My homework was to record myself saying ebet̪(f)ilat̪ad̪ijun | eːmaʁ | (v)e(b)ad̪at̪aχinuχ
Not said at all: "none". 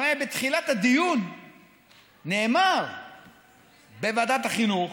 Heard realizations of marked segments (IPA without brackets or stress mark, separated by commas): χ, b, v